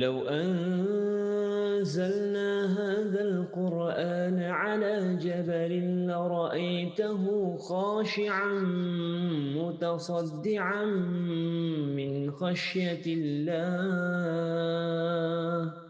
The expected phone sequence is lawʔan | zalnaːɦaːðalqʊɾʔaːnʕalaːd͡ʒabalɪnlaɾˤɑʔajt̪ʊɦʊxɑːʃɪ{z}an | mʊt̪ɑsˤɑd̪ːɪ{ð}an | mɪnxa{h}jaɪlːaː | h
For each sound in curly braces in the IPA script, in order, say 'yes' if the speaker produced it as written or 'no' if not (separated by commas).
no, no, no